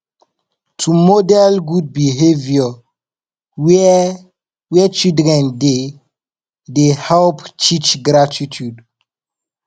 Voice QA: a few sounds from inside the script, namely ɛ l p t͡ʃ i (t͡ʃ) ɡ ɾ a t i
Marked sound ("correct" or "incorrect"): correct